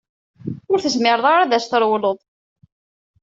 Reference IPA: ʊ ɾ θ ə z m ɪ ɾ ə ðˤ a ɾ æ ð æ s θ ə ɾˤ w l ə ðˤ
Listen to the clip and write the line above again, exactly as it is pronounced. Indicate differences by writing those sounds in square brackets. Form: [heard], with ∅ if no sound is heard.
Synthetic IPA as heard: ʊ ɾ θ ə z m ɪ ɾ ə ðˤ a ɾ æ ð æ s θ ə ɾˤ w l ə ðˤ